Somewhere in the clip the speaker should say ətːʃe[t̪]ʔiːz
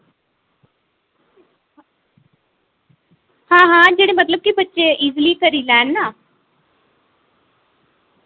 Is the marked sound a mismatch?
yes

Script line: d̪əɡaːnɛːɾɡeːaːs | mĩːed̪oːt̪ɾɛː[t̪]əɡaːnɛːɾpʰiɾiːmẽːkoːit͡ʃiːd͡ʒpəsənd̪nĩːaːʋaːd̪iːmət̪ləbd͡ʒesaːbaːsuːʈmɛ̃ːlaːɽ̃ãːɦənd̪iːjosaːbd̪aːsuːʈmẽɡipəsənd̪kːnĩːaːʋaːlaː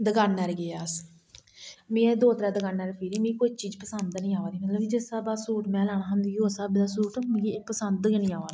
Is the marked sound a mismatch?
yes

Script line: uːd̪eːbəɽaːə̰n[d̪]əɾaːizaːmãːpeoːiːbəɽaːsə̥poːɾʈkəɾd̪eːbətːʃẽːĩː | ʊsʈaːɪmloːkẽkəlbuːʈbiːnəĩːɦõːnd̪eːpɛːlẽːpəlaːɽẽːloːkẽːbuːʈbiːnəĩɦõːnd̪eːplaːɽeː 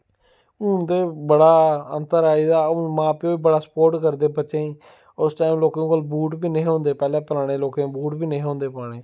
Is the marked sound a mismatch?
yes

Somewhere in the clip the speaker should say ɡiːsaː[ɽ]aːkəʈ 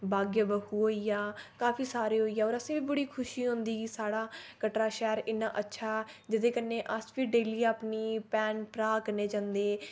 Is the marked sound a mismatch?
no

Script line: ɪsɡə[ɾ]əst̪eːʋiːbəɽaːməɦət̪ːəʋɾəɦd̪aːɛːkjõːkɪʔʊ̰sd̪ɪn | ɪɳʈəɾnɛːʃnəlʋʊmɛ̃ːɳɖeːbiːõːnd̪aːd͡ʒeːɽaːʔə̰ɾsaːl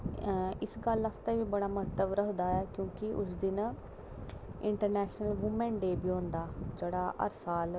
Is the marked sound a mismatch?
yes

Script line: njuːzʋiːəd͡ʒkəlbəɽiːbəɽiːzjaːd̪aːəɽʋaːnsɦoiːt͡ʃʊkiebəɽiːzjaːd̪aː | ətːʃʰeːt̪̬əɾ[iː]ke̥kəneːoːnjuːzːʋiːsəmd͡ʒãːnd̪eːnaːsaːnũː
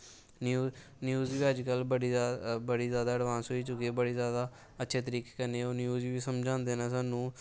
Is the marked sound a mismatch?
no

